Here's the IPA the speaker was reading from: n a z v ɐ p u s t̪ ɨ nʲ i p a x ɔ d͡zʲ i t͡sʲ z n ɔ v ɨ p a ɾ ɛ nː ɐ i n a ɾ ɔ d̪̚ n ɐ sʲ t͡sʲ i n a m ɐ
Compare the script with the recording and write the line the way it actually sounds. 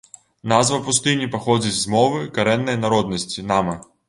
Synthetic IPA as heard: n a z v ɐ p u s t̪ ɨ nʲ i p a x ɔ d͡zʲ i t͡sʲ z m ɔ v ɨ k a ɾ ɛ nː ɐ j n a ɾ ɔ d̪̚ n ɐ sʲ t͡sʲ i n a m ɐ